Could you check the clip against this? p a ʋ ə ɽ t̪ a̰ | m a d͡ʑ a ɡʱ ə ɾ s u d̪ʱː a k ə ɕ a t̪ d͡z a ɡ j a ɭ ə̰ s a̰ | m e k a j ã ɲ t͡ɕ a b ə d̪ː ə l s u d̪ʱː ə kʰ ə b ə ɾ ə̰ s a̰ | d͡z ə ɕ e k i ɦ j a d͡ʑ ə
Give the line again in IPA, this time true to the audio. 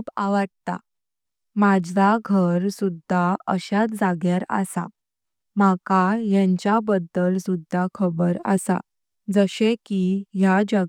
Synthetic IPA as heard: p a ʋ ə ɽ t̪ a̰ | m a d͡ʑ a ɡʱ ə ɾ s u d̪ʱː a ə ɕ a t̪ d͡z a ɡ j a ɾ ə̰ s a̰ | m a k a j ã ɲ t͡ɕ a b ə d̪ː ə l s u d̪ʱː a kʰ ə b ə ɾ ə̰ s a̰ | d͡z ə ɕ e k i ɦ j a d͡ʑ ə